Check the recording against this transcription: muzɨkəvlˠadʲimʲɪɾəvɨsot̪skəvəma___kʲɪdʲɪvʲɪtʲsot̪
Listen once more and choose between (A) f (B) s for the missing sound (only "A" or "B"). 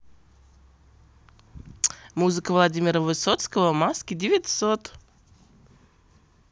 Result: B